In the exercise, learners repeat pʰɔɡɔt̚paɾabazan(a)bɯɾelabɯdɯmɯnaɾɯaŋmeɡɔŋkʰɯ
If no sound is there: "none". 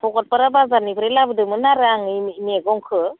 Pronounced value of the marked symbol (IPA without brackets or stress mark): i